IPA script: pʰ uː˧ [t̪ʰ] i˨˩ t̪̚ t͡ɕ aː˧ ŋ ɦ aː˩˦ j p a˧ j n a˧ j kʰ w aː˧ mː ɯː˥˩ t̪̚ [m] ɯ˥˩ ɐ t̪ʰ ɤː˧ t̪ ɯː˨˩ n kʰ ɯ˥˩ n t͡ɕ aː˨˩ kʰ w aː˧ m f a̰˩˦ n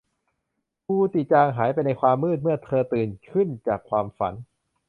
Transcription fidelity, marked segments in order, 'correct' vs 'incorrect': incorrect: t̪, correct

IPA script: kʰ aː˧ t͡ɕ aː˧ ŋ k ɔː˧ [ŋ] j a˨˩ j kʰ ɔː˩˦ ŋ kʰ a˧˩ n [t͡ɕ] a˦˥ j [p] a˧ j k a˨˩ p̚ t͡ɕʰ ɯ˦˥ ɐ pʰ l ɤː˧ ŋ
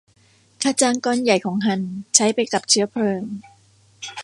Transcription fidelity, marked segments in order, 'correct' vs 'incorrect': incorrect: n, incorrect: t͡ɕʰ, correct

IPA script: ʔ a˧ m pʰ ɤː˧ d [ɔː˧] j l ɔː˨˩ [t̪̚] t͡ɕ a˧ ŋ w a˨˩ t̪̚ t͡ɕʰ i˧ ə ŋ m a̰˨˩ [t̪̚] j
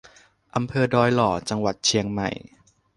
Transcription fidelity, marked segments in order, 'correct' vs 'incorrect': correct, incorrect: none, incorrect: none

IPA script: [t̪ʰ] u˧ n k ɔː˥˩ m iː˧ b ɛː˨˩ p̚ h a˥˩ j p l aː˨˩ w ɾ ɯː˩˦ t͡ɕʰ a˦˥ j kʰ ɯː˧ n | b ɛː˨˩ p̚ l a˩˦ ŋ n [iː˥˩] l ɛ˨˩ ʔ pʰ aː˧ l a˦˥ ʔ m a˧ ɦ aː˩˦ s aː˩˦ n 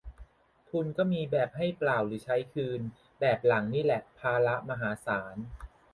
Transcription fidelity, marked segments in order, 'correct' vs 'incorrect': correct, correct

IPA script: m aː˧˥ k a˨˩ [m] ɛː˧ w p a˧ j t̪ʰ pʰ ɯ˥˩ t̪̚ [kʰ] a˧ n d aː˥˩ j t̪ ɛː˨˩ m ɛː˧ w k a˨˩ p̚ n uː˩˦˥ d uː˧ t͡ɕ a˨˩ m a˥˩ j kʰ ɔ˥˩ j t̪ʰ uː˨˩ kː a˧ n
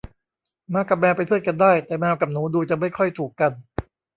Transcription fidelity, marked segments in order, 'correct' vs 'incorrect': correct, incorrect: k

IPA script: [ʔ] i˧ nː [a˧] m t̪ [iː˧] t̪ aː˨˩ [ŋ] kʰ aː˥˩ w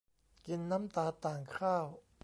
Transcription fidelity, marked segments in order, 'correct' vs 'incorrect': incorrect: k, incorrect: a˦˥, incorrect: aː˧, correct

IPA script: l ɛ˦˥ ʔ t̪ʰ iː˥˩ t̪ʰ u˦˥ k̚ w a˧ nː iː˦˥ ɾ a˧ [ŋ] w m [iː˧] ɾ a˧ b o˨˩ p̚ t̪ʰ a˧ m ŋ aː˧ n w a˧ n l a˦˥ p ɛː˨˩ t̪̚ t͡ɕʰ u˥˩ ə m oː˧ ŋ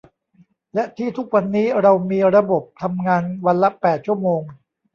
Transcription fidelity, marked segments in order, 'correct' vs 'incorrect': incorrect: none, correct

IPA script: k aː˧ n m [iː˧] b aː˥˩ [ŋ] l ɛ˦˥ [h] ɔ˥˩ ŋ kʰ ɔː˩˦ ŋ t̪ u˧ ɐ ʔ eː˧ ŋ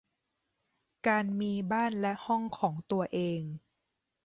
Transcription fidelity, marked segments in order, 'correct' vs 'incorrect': correct, incorrect: n, correct

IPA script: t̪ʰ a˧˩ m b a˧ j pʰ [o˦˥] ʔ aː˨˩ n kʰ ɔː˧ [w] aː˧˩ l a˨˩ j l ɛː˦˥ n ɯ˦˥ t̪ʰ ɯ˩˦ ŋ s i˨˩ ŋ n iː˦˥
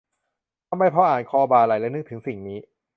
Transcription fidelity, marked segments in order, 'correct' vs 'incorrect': incorrect: ɔ˦˥, incorrect: b

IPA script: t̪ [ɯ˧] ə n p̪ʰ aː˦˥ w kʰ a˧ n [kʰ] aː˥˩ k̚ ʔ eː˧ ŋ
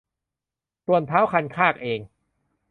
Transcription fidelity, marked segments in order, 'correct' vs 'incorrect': incorrect: u˧, correct

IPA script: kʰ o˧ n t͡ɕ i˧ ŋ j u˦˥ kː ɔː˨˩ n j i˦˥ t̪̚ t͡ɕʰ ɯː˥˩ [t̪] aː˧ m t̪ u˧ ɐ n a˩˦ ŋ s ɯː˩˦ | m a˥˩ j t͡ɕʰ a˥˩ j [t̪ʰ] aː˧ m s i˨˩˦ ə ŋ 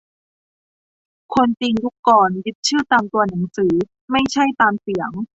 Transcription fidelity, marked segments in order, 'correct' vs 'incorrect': correct, incorrect: t̪

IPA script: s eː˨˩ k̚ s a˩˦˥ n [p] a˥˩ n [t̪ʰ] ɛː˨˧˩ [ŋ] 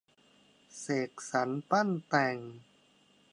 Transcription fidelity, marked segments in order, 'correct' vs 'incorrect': correct, incorrect: t̪, correct

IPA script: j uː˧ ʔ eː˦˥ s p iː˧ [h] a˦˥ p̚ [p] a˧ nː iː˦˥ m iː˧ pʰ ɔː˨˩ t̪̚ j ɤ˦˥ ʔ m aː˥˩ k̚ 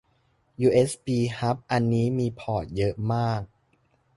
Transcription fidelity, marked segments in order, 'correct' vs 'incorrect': correct, incorrect: ʔ

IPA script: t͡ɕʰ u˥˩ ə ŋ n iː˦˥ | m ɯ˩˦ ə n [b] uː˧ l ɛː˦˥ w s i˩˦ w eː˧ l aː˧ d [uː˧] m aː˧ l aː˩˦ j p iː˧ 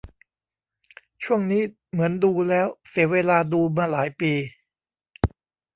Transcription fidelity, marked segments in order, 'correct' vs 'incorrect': incorrect: d, correct

